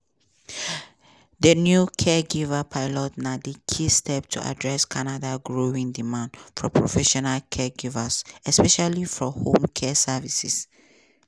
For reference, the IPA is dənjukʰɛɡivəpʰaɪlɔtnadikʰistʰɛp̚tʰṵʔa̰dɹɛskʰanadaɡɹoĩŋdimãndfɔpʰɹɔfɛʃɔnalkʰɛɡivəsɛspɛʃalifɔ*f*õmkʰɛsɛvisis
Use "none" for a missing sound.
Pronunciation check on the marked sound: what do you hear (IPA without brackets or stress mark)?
h